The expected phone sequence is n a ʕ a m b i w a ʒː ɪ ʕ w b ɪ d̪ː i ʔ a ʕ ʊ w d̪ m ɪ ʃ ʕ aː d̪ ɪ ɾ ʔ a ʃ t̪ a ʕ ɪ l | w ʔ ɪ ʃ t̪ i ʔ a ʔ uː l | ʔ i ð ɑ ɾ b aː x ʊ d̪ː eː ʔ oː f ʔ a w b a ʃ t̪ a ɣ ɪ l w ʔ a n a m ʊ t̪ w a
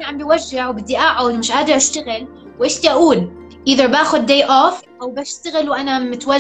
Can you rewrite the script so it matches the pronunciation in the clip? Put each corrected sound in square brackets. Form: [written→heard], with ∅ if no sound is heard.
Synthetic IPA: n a ʕ a m b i w a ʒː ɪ ʕ w b ɪ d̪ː i ʔ a ʕ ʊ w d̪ m ɪ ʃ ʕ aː d̪ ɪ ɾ ʔ a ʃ t̪ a [ʕ→ɣ] ɪ l | w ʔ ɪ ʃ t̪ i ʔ a ʔ uː l | ʔ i ð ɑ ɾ b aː x ʊ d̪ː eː ʔ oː f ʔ a w b a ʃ t̪ a ɣ ɪ l w ʔ a n a m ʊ t̪ w a